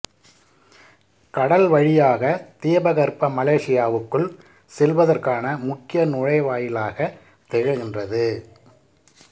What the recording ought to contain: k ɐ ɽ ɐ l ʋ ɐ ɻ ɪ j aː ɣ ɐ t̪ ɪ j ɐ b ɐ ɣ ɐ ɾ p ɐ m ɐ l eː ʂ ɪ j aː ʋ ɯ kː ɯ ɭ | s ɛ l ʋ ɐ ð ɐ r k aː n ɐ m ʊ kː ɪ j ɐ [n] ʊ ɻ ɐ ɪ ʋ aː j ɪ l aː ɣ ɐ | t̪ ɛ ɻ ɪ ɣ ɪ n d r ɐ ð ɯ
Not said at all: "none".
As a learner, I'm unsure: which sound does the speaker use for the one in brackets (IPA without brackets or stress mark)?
n